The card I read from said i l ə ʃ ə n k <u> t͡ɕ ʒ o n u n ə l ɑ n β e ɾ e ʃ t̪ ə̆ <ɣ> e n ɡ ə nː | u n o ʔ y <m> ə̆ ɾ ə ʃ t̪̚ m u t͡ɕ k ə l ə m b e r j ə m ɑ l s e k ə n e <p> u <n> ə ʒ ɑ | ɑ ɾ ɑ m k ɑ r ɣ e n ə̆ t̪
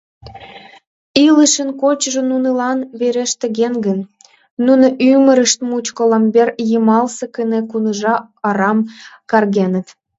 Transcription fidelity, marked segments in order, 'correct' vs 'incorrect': incorrect: o, correct, correct, incorrect: k, correct

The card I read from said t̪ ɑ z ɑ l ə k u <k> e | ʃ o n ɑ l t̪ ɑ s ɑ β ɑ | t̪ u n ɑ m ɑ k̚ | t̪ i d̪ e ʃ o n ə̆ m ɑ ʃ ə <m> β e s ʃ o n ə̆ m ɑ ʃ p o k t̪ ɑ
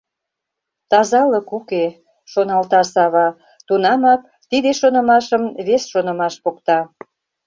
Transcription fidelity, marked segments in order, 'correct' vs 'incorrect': correct, correct

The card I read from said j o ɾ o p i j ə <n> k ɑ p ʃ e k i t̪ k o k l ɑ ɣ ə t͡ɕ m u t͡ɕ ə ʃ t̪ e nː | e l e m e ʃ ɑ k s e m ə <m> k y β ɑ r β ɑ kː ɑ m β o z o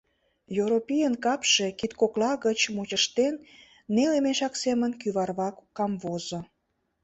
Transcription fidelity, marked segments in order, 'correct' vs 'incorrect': correct, incorrect: n

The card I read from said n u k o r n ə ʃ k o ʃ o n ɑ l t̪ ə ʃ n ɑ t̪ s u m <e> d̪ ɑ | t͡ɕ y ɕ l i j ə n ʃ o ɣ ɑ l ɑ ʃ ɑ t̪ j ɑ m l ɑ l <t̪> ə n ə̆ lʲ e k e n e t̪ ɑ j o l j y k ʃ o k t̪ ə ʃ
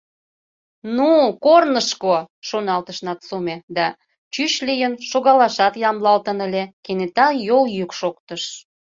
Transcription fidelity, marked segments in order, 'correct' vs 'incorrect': correct, correct

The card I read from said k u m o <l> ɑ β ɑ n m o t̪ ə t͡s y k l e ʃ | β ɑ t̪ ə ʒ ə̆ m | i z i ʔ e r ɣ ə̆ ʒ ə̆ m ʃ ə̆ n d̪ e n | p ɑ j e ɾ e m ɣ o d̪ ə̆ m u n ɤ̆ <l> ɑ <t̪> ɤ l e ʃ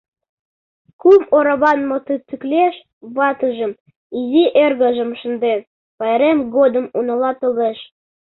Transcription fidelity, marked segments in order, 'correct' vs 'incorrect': incorrect: ɾ, correct, correct

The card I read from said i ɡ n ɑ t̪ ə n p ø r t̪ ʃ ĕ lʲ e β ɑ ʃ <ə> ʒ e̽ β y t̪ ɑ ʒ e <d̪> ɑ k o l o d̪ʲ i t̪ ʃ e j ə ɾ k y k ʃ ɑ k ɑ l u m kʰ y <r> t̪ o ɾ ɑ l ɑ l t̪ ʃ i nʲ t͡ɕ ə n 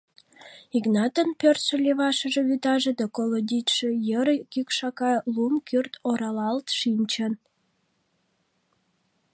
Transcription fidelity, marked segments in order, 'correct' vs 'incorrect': correct, correct, correct

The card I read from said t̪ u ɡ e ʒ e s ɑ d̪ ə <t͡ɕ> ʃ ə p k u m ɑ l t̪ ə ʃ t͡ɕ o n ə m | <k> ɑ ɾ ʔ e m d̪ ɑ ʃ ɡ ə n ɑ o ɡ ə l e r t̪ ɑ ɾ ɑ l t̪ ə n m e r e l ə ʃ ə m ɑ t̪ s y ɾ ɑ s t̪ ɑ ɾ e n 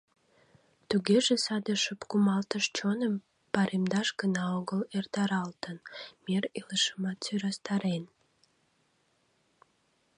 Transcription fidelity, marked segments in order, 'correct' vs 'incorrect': incorrect: none, incorrect: p

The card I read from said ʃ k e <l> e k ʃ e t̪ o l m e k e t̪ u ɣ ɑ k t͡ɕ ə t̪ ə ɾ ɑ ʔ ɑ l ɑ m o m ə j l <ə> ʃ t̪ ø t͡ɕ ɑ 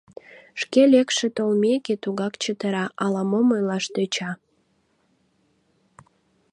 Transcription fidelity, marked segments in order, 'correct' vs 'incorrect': correct, incorrect: ɑ

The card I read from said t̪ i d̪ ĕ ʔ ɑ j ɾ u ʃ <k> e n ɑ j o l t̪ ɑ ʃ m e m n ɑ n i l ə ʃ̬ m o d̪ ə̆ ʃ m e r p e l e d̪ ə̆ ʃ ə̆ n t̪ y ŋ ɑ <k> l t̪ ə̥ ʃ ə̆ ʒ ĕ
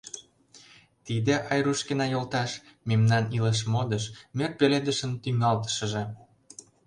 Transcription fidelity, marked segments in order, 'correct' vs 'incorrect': correct, incorrect: none

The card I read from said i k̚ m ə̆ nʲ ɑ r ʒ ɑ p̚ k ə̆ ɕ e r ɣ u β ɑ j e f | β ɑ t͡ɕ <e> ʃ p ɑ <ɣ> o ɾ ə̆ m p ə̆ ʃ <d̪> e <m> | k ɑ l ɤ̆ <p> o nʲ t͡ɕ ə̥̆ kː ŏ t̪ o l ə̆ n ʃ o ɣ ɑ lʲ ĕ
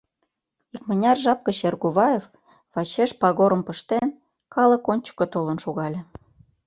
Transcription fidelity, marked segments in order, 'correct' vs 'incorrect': correct, correct, incorrect: t̪, incorrect: n, incorrect: k

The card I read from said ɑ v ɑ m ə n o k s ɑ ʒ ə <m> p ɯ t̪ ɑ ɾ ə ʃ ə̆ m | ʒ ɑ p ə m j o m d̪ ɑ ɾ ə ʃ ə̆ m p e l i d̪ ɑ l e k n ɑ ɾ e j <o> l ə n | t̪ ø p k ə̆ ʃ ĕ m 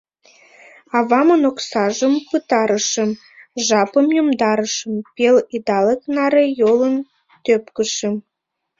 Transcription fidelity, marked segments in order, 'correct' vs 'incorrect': correct, correct

